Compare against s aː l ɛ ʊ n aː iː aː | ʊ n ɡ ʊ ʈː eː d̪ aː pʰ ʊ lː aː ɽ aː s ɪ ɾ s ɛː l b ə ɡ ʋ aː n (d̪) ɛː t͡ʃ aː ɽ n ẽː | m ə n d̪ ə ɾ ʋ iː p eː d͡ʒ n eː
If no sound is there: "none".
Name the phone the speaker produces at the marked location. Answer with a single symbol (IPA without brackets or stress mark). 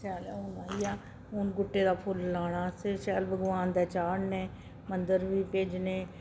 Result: d̪